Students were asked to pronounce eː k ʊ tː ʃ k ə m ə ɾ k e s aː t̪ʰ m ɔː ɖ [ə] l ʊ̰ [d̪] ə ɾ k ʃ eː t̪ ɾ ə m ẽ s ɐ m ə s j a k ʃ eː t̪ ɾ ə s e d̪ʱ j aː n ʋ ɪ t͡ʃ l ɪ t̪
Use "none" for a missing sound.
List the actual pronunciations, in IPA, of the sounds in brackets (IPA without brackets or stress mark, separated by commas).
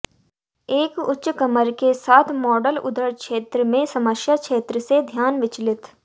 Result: ə, d̪